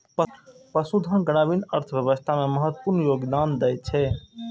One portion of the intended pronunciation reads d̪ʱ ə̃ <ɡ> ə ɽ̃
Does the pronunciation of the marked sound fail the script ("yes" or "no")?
no